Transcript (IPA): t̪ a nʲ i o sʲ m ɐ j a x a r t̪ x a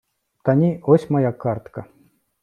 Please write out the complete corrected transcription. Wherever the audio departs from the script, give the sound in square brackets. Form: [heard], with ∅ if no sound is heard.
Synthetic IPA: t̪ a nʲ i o sʲ m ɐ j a [k] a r t̪ [k] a